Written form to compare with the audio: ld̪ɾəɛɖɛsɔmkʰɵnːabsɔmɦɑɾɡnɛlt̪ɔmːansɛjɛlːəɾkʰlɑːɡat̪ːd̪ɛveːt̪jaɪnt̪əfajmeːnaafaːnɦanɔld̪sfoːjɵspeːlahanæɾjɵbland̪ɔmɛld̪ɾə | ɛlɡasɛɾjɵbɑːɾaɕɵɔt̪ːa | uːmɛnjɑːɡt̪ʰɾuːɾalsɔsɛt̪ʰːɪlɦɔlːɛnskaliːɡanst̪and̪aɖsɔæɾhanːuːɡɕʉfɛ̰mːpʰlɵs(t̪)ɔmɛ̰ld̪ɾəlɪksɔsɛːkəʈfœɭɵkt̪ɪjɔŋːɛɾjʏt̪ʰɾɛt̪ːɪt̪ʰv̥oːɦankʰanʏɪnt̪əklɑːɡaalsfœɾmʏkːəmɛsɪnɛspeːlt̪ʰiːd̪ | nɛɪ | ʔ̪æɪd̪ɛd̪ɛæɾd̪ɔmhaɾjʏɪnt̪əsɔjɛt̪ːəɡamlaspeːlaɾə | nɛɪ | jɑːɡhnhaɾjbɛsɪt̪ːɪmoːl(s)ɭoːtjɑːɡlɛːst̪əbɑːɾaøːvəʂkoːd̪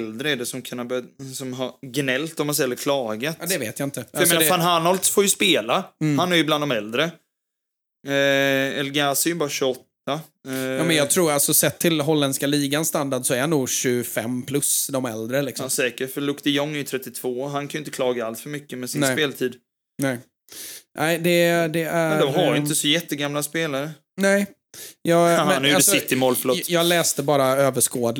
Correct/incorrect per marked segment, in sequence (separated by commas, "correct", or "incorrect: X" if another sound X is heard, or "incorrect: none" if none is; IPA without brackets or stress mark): incorrect: d̪, incorrect: f